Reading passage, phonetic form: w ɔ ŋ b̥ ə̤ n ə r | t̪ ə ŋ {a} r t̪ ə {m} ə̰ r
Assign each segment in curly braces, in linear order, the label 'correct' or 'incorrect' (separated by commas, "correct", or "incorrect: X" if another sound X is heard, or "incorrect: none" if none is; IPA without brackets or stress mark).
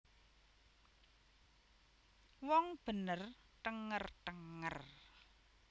incorrect: ə, incorrect: ŋ